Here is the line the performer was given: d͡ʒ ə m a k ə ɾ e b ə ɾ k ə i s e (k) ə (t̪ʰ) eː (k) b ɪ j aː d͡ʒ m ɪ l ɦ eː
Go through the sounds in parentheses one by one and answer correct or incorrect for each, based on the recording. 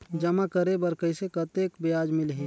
correct, incorrect, correct

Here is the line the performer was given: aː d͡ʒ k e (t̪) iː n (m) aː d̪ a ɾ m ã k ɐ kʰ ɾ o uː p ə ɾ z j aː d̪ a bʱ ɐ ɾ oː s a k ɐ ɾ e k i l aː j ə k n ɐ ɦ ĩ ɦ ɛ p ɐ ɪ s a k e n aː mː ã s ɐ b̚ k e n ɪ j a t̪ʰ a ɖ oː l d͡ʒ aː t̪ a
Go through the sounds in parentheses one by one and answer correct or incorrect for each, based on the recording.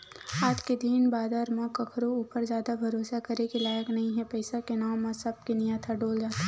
incorrect, incorrect

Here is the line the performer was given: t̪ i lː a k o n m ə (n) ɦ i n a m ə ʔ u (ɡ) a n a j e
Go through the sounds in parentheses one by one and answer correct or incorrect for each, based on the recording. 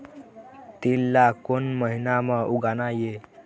incorrect, correct

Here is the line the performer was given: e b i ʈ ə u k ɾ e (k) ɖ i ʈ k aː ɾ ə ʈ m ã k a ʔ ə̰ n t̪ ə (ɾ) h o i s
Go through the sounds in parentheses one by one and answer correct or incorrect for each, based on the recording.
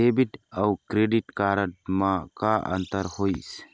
incorrect, correct

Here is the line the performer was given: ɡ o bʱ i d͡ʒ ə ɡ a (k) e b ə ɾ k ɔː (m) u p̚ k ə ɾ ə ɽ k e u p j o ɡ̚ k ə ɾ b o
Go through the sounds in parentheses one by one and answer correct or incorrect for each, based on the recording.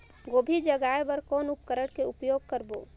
incorrect, incorrect

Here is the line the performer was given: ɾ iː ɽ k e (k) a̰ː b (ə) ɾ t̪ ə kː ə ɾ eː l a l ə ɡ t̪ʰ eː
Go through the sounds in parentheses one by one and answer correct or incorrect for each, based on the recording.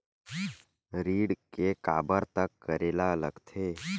correct, correct

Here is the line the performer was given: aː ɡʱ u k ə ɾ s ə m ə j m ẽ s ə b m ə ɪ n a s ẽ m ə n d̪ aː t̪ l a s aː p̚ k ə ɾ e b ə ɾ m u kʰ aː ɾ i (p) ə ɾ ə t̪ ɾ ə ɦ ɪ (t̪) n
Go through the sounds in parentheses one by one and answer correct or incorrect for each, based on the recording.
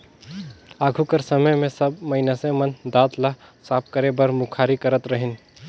incorrect, incorrect

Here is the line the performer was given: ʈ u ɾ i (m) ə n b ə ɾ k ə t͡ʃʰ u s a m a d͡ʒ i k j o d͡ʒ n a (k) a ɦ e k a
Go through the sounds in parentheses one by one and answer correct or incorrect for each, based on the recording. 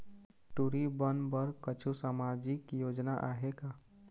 incorrect, incorrect

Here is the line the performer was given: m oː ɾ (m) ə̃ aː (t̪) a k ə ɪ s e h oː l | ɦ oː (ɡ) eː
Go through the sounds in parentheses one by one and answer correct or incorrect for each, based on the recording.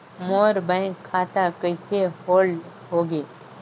incorrect, correct, correct

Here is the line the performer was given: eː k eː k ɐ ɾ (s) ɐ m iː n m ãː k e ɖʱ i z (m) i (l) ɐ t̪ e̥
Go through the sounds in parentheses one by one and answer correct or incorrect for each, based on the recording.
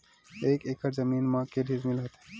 incorrect, correct, correct

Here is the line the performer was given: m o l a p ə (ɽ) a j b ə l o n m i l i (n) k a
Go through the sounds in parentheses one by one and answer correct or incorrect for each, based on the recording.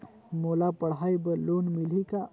correct, incorrect

